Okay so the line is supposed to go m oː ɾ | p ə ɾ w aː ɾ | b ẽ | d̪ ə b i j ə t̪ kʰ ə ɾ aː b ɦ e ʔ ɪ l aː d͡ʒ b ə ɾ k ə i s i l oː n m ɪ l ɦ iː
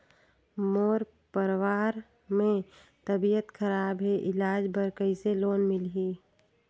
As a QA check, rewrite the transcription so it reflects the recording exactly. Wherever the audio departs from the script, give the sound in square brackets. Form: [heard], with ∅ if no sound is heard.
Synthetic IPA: m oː ɾ | p ə ɾ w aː ɾ | [m] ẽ | [t̪] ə b i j ə t̪ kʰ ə ɾ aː b ɦ e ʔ ɪ l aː d͡ʒ b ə ɾ k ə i s [e] l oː n m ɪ l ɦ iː

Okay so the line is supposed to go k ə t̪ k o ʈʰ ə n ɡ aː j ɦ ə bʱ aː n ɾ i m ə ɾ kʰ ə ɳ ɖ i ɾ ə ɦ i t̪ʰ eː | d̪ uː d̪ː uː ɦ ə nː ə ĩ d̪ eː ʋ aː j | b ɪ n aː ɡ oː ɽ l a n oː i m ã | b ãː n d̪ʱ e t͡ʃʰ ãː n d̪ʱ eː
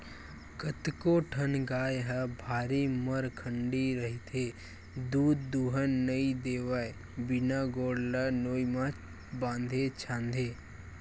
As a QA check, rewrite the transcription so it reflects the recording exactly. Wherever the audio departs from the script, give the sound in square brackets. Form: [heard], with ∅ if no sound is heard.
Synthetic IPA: k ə t̪ k o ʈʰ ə n ɡ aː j ɦ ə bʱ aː [∅] ɾ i m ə ɾ kʰ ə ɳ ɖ i ɾ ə ɦ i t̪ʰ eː | d̪ uː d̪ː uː ɦ ə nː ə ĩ d̪ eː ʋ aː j | b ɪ n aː ɡ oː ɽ l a n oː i m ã | b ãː n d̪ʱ e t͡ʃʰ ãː n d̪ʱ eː

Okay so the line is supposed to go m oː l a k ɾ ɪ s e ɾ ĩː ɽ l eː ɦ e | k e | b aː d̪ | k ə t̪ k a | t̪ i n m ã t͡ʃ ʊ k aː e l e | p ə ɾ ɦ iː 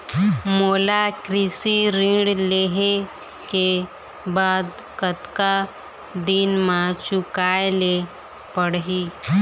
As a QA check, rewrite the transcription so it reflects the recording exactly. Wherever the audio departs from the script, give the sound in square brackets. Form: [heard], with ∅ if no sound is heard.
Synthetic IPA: m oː l a k ɾ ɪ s [i] ɾ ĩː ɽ l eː ɦ e | k e | b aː d̪ | k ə t̪ k a | [d̪] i n m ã t͡ʃ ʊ k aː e l e | p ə [ɽ] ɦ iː

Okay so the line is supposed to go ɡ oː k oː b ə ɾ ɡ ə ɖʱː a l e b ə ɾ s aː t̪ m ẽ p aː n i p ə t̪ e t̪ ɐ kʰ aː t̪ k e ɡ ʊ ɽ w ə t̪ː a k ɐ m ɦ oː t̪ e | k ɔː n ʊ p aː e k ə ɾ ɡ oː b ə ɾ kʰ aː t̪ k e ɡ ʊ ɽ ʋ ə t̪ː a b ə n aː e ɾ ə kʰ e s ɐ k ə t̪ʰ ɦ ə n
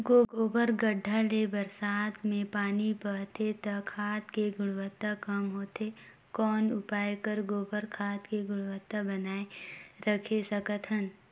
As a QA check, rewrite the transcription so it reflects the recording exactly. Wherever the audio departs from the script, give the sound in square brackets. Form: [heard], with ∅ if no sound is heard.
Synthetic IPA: ɡ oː [ɡ] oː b ə ɾ ɡ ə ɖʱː a l e b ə ɾ s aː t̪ m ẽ p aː n i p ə t̪ e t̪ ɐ kʰ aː t̪ k e ɡ ʊ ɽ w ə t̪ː a k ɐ m ɦ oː t̪ e | k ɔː n ʊ p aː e k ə ɾ ɡ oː b ə ɾ kʰ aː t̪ k e ɡ ʊ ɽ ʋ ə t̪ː a b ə n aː e ɾ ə kʰ e s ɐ k ə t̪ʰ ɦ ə n

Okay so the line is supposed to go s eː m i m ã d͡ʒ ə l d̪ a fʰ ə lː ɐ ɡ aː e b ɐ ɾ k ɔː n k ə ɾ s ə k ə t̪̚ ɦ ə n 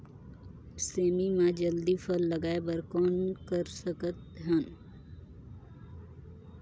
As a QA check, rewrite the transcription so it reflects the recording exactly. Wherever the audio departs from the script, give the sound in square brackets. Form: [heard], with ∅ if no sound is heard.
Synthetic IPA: s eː m i m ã d͡ʒ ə l d̪ [i] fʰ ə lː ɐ ɡ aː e b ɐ ɾ k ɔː n k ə ɾ s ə k ə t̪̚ ɦ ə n

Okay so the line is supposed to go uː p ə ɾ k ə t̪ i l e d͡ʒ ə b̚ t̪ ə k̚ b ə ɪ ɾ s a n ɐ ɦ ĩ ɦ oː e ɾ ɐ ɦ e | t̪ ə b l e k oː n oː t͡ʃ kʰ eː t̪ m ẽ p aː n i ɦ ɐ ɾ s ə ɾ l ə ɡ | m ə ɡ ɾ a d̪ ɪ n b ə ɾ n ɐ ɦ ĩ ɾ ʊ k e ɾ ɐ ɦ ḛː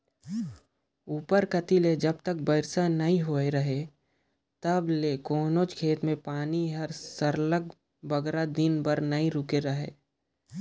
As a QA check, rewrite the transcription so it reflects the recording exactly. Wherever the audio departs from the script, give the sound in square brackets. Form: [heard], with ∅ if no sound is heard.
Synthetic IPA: uː p ə ɾ k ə t̪ i l e d͡ʒ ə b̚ t̪ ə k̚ b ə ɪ ɾ s a n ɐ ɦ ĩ ɦ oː e ɾ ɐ ɦ e | t̪ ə b l e k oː n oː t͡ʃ kʰ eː t̪ m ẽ p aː n i ɦ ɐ ɾ s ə ɾ l ə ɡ | [b] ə ɡ ɾ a d̪ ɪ n b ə ɾ n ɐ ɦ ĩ ɾ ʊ k e ɾ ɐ ɦ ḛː

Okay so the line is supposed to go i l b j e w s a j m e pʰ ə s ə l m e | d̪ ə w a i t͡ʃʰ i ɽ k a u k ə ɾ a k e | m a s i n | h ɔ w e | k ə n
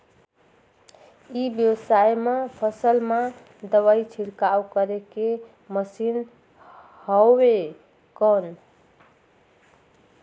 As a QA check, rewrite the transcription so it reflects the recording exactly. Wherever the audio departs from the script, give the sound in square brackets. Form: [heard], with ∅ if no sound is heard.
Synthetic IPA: i [∅] b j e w s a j m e pʰ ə s ə l m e | d̪ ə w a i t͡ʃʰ i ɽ k a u k ə ɾ [e] k e | m [ə] s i n | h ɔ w e | k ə n

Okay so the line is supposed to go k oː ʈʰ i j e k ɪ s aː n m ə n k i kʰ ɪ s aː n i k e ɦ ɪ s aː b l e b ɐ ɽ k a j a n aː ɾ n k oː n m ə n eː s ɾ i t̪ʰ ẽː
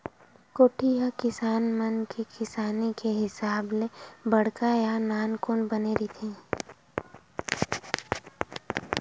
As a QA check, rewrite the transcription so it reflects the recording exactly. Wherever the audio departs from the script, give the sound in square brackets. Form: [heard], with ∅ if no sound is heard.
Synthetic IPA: k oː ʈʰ i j [a] k ɪ s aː n m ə n k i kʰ ɪ s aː n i k e ɦ ɪ s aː b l e b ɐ ɽ k a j a n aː [∅] n k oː n [b] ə n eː [∅] ɾ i t̪ʰ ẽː

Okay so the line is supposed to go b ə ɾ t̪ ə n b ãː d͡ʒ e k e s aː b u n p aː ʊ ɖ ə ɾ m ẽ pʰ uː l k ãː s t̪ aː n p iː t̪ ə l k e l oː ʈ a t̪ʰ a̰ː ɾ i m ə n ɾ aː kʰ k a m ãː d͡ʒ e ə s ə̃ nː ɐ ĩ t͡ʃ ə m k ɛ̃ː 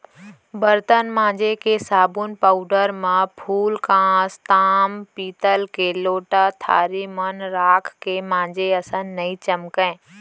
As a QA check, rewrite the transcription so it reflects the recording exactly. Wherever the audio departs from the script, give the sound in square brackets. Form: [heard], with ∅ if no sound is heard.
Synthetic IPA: b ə ɾ t̪ ə n [m] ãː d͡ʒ e k e s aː b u n p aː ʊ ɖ ə ɾ m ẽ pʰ uː l k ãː s t̪ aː [m] p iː t̪ ə l k e l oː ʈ a t̪ʰ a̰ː ɾ i m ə n ɾ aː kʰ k [e] m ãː d͡ʒ e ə s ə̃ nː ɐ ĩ t͡ʃ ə m k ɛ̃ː

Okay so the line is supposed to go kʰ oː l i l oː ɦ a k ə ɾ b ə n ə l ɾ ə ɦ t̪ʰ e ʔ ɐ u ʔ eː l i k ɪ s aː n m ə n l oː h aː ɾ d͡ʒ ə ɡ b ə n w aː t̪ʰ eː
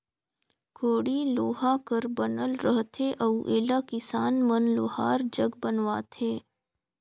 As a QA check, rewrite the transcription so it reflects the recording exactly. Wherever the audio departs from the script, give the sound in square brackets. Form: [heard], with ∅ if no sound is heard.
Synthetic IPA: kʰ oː [ɽ] i l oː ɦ a k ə ɾ b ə n ə l ɾ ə ɦ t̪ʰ e ʔ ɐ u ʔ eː l [a] k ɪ s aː n m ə n l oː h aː ɾ d͡ʒ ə ɡ b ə n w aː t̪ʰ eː

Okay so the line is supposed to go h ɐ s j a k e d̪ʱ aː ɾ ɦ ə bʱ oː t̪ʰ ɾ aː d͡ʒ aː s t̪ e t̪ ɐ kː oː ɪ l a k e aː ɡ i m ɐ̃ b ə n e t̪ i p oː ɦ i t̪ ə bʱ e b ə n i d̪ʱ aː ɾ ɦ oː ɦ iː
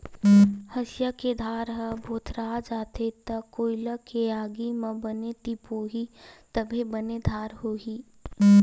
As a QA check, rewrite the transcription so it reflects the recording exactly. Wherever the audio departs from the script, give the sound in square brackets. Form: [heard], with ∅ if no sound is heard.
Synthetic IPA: h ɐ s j a k e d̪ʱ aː ɾ ɦ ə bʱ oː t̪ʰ ɾ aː d͡ʒ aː [∅] t̪ e t̪ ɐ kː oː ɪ l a k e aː ɡ i m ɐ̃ b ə n e t̪ i p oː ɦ i t̪ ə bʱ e b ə n [e] d̪ʱ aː ɾ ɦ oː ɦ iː

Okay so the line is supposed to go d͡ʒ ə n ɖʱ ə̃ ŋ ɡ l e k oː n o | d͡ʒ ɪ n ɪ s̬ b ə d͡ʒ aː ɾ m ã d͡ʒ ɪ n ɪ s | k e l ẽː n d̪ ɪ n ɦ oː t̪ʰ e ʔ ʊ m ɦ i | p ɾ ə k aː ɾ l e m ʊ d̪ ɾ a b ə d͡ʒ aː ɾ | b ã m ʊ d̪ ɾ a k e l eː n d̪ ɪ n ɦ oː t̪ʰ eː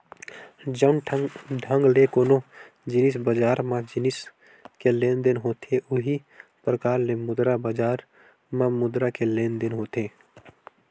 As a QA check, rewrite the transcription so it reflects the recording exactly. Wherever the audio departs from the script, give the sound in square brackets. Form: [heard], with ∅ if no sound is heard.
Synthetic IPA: d͡ʒ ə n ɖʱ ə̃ ŋ ɡ l e k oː n o | d͡ʒ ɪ n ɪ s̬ b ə d͡ʒ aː ɾ m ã d͡ʒ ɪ n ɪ s | k e l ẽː n d̪ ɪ n ɦ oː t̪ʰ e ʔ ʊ [∅] ɦ i | p ɾ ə k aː ɾ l e m ʊ d̪ ɾ a b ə d͡ʒ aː ɾ | [m] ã m ʊ d̪ ɾ a k e l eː n d̪ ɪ n ɦ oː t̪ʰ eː

